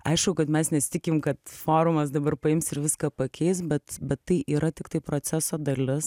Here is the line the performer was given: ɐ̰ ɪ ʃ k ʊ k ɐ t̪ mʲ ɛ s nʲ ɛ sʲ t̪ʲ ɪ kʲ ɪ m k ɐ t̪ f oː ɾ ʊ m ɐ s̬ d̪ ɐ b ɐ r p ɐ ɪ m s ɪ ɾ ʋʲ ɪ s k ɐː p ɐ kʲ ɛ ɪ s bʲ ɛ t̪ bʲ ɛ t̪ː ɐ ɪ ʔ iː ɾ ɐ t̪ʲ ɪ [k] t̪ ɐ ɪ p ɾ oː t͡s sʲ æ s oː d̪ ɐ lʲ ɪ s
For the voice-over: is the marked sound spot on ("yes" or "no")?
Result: yes